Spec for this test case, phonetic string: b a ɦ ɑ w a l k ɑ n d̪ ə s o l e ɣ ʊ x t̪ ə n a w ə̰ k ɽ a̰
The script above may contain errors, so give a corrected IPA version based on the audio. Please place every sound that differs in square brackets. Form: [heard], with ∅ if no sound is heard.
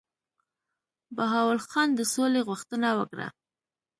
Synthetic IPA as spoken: b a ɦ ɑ w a l [x] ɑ n d̪ ə s o l e ɣ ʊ x t̪ ə n a w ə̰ k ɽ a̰